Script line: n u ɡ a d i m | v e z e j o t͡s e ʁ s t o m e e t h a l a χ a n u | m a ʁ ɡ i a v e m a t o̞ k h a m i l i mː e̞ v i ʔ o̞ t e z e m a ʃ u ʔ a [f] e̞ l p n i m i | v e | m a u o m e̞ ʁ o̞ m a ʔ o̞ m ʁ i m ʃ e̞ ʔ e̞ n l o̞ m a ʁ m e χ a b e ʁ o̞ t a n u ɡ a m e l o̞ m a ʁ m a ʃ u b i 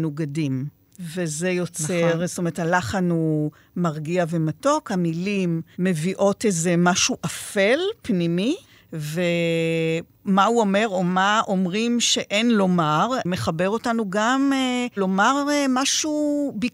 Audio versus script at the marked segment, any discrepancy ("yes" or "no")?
no